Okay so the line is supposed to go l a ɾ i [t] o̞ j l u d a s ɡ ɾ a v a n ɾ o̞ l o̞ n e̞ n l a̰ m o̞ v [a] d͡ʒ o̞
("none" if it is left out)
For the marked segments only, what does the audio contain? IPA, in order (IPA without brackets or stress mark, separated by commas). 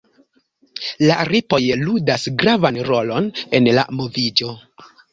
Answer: p, i